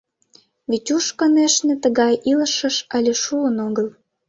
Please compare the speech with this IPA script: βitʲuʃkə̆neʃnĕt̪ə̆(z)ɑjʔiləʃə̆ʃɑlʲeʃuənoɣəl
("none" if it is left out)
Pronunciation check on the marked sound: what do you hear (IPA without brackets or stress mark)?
ɣ